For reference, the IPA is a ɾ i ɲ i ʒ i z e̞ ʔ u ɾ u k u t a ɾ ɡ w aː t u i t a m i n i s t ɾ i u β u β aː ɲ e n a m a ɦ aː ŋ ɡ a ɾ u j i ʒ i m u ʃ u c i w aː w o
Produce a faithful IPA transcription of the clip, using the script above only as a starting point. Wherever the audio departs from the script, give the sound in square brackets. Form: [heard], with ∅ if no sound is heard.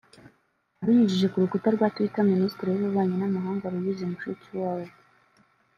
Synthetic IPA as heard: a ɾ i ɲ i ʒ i [ʒ] e̞ [k] u ɾ u k u t a ɾ ɡ w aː t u i t a m i n i s t ɾ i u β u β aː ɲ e n a m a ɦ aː ŋ ɡ a ɾ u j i [z] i m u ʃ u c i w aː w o